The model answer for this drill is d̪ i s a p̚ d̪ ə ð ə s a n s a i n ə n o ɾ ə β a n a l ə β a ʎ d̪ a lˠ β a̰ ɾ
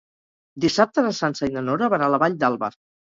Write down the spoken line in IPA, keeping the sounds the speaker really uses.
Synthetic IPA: d̪ i s a p̚ t̪ ə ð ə s a n s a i n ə n o ɾ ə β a n a l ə β a ʎ d̪ a lˠ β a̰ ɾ